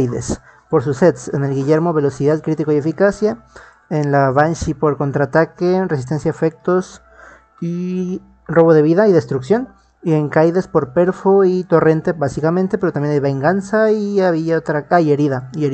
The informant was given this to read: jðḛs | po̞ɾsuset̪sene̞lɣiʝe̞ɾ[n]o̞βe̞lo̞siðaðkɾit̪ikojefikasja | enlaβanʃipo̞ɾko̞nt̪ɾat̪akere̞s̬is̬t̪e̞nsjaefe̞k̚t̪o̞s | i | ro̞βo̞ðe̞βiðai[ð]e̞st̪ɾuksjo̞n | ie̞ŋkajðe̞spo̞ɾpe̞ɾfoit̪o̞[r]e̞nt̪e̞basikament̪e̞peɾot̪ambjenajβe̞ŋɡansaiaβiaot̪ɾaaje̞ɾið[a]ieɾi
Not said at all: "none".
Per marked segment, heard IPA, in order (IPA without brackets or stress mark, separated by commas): m, ð, r, a